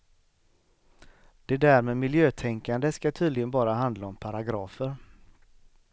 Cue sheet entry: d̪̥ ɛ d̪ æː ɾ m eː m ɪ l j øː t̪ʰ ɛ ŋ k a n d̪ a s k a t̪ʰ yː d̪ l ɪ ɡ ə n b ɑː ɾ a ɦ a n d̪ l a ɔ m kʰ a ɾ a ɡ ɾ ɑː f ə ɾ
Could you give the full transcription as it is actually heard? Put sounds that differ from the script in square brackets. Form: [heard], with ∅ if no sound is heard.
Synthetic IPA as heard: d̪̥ ɛ d̪ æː ɾ m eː m ɪ l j øː t̪ʰ ɛ ŋ k a n d̪ [ə] s k a t̪ʰ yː d̪ l ɪ ɡ ə n b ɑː ɾ a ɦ a n d̪ l a ɔ m [pʰ] a ɾ a ɡ ɾ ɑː f ə ɾ